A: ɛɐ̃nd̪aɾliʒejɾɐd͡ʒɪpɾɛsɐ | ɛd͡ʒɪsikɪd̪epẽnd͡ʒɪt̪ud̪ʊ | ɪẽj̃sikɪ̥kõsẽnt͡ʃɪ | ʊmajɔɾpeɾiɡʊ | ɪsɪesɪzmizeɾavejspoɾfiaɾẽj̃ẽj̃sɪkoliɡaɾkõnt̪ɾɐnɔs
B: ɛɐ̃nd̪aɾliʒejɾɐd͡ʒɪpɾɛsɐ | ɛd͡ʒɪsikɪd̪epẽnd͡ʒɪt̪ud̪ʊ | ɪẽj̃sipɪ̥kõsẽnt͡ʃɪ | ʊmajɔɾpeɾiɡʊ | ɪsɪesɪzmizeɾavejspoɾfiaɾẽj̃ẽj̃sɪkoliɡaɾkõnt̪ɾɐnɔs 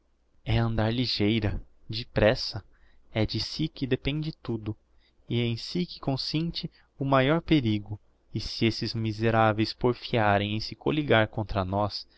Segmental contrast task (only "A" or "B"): A